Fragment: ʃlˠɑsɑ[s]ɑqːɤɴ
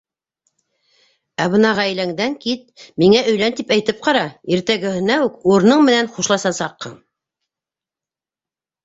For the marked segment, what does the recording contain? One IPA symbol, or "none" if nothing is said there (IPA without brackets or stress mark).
s